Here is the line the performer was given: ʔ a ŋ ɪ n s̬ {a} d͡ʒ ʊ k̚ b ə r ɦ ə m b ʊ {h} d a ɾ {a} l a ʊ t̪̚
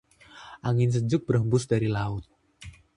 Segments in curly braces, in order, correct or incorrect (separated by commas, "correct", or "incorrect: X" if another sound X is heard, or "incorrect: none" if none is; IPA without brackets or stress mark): incorrect: ə, incorrect: s, incorrect: i